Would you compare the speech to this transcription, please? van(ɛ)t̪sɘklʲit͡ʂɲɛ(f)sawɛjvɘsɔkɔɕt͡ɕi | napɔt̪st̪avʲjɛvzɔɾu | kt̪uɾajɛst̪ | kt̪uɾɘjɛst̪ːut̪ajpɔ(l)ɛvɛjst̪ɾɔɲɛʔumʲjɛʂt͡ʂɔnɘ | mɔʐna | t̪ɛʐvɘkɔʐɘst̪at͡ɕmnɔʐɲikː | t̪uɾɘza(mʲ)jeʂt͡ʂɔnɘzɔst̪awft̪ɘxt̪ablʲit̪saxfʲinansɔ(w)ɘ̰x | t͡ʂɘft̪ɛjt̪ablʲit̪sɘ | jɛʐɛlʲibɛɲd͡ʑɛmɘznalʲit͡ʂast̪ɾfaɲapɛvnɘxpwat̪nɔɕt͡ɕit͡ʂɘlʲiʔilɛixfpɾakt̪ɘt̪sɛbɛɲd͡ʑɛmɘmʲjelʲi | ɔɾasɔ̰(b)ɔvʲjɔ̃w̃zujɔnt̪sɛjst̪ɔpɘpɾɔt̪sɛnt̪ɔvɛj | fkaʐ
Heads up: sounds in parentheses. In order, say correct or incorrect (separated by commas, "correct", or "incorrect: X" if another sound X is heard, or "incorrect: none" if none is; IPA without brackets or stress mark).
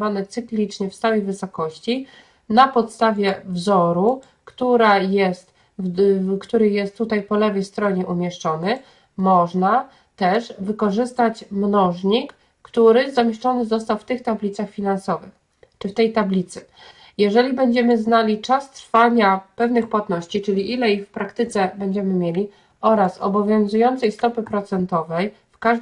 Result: correct, correct, correct, correct, incorrect: v, correct